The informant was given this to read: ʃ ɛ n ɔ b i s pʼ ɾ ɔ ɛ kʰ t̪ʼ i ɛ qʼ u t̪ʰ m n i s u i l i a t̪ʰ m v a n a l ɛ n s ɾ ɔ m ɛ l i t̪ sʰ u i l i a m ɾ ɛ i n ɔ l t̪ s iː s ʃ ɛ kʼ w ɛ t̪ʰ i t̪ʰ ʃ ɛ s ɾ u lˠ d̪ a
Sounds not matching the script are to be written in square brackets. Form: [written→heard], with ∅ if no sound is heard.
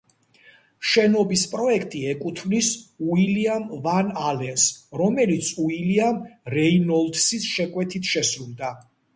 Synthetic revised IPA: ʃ ɛ n ɔ b i s pʼ ɾ ɔ ɛ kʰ t̪ʼ i ɛ [qʼ→kʼ] u t̪ʰ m n i s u i l i a [t̪ʰ→∅] m v a n a l ɛ n s ɾ ɔ m ɛ l i t̪ sʰ u i l i a m ɾ ɛ i n ɔ l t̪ s [iː→i] s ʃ ɛ kʼ w ɛ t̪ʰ i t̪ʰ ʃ ɛ s ɾ u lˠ d̪ a

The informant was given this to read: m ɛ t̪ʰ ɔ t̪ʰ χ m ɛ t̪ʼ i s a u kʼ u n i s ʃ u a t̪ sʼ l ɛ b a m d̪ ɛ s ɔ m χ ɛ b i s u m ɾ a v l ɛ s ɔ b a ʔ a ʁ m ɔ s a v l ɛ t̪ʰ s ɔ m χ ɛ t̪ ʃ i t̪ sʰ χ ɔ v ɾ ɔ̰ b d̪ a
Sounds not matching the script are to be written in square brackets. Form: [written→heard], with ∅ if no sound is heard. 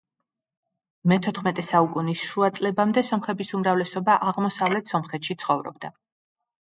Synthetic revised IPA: m ɛ t̪ʰ ɔ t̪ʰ χ m ɛ t̪ʼ [i→ɛ] s a u kʼ u n i s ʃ u a t̪ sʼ l ɛ b a m d̪ ɛ s ɔ m χ ɛ b i s u m ɾ a v l ɛ s ɔ b a ʔ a ʁ m ɔ s a v l ɛ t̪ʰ s ɔ m χ ɛ t̪ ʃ i t̪ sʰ χ ɔ v ɾ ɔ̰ b d̪ a

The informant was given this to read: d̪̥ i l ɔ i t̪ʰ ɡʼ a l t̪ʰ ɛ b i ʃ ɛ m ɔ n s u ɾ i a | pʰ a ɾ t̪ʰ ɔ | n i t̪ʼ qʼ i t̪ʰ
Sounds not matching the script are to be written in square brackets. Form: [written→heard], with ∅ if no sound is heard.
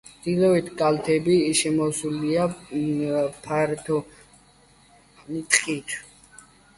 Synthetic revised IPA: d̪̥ i l ɔ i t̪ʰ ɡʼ a l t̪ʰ ɛ b i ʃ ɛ m ɔ [n→∅] s u [ɾ→l] i a | pʰ a ɾ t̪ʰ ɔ | n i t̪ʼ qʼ i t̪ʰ

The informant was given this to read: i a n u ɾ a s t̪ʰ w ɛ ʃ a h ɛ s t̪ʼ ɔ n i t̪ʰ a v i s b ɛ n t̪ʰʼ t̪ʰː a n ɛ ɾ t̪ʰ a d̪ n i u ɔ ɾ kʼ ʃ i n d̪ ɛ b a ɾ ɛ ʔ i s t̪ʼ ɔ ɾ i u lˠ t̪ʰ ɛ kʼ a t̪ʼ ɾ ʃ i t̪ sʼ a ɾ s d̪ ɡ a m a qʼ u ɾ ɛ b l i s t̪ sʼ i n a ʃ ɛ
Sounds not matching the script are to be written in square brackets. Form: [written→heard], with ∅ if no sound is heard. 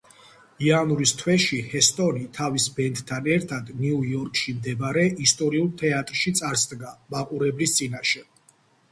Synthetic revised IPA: i a n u ɾ [a→i] s t̪ʰ w ɛ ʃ [a→i] h ɛ s t̪ʼ ɔ n i t̪ʰ a v i s b ɛ n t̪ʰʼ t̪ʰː a n ɛ ɾ t̪ʰ a d̪ n i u ɔ ɾ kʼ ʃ i [n→m] d̪ ɛ b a ɾ ɛ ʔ i s t̪ʼ ɔ ɾ i u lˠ t̪ʰ ɛ [kʼ→∅] a t̪ʼ ɾ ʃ i t̪ sʼ a ɾ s d̪ ɡ a m a qʼ u ɾ ɛ b l i s t̪ sʼ i n a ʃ ɛ

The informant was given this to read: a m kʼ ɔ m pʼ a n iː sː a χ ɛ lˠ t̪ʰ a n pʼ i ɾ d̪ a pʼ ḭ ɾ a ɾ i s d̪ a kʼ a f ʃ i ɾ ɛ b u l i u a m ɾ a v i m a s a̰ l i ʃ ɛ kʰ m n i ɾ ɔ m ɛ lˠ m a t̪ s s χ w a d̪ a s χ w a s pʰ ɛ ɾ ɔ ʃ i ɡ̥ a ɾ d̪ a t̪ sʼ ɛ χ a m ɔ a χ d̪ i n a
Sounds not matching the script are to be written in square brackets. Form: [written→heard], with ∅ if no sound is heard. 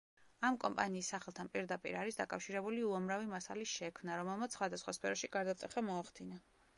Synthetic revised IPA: a m kʼ ɔ m pʼ a n iː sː a χ ɛ lˠ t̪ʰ a n pʼ i ɾ d̪ a pʼ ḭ ɾ a ɾ i s d̪ a kʼ a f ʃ i ɾ ɛ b u l i u a m ɾ a v i m a s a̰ l i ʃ ɛ kʰ m n [i→a] ɾ ɔ m ɛ lˠ m a t̪ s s χ w a d̪ a s χ w a s pʰ ɛ ɾ ɔ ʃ i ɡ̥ a ɾ d̪ a t̪ sʼ ɛ χ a m ɔ a χ d̪ i n a

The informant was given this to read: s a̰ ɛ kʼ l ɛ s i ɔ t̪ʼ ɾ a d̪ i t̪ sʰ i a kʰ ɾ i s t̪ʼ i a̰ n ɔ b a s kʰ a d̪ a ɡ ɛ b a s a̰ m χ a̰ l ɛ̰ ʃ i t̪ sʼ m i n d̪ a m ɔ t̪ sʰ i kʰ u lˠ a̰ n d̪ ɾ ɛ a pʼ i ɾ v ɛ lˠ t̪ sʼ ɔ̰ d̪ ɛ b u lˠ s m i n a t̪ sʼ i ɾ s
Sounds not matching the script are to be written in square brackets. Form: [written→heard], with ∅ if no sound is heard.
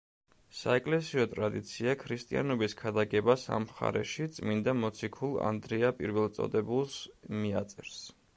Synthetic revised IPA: s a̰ ɛ kʼ l ɛ s i ɔ t̪ʼ ɾ a d̪ i t̪ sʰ i a kʰ ɾ i s t̪ʼ i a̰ n ɔ b [a→i] s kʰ a d̪ a ɡ ɛ b a s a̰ m χ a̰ [l→ɾ] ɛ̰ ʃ i t̪ sʼ m i n d̪ a m ɔ t̪ sʰ i kʰ u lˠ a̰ n d̪ ɾ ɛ a pʼ i ɾ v ɛ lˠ t̪ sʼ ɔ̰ d̪ ɛ b u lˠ s m i [n→∅] a t̪ sʼ [i→ɛ] ɾ s

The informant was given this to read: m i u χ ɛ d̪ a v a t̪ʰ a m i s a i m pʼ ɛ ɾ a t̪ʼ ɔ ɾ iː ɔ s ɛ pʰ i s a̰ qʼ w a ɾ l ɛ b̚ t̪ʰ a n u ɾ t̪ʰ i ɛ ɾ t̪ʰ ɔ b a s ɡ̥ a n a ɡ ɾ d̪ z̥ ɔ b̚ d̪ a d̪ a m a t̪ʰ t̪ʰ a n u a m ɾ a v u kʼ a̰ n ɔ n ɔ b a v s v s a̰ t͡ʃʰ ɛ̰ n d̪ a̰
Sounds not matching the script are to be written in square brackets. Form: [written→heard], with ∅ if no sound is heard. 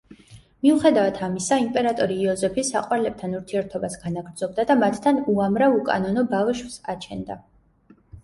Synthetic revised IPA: m i u χ ɛ d̪ a v a t̪ʰ a m i s a i m pʼ ɛ ɾ a t̪ʼ ɔ ɾ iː ɔ [s→z] ɛ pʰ i s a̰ qʼ w a ɾ l ɛ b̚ t̪ʰ a n u ɾ t̪ʰ i ɛ ɾ t̪ʰ ɔ b a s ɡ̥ a n a ɡ ɾ d̪ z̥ ɔ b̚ d̪ a d̪ a m a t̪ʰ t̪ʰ a n u a m ɾ a v u kʼ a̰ n ɔ n ɔ b a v [s→ʃ] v s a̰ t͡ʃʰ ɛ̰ n d̪ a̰

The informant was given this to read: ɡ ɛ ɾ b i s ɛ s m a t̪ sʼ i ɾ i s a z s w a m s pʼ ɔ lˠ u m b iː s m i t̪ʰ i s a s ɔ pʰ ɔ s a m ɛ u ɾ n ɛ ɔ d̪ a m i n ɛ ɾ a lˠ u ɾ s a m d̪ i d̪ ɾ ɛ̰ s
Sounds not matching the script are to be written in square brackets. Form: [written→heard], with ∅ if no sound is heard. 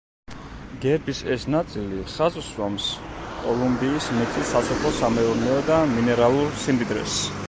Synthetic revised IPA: ɡ ɛ ɾ b i s ɛ s [m→n] a t̪ sʼ i [ɾ→l] i [s→χ] a z s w a m s [pʼ→kʼ] ɔ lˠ u m b iː s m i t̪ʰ i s a s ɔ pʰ ɔ s a m ɛ u ɾ n ɛ ɔ d̪ a m i n ɛ ɾ a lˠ u ɾ s [a→i] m d̪ i d̪ ɾ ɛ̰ s

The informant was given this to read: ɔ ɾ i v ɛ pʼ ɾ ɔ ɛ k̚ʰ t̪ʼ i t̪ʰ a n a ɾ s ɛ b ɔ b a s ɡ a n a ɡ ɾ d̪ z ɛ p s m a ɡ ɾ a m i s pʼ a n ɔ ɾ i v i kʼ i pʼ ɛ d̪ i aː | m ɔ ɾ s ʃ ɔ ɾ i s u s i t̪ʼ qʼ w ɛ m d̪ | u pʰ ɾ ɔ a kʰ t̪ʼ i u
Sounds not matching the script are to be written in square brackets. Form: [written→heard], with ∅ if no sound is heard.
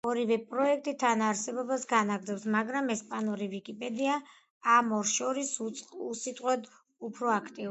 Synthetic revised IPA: ɔ ɾ i v ɛ pʼ ɾ ɔ ɛ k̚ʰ t̪ʼ i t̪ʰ a n a ɾ s ɛ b ɔ b a s ɡ a n a ɡ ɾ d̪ z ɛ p s m a ɡ ɾ a m [i→ɛ] s pʼ a n ɔ ɾ i v i kʼ i pʼ ɛ d̪ i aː | m ɔ ɾ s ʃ ɔ ɾ i s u s i t̪ʼ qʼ w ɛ [m→∅] d̪ | u pʰ ɾ ɔ a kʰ t̪ʼ i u

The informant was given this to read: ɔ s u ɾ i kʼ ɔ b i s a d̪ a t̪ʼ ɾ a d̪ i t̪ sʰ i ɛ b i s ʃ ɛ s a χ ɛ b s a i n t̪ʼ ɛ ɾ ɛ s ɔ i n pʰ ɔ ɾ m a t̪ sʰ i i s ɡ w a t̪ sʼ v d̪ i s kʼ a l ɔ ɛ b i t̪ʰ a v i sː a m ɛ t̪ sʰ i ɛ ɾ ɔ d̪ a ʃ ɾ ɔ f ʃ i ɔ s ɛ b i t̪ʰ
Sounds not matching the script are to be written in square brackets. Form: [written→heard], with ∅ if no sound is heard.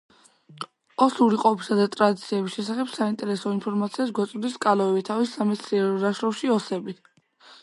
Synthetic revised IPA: ɔ s u ɾ i [kʼ→qʼ] ɔ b i s a d̪ a t̪ʼ ɾ a d̪ i t̪ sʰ i ɛ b i s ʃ ɛ s a χ ɛ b s a i n t̪ʼ ɛ ɾ ɛ s ɔ i n pʰ ɔ ɾ m a t̪ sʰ i [i→a] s ɡ w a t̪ sʼ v d̪ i s kʼ a l ɔ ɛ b i t̪ʰ a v i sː a m ɛ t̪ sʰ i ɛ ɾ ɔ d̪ a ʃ ɾ ɔ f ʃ i ɔ s ɛ b i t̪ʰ

